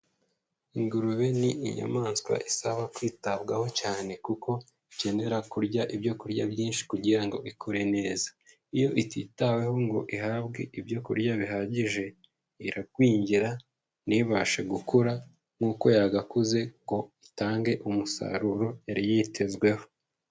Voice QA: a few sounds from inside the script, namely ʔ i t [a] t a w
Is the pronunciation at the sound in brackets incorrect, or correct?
incorrect